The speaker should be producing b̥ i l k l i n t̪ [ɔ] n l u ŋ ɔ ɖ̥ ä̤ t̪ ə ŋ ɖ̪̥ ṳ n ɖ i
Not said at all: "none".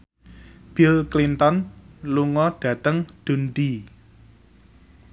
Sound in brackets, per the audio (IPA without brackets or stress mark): ɔ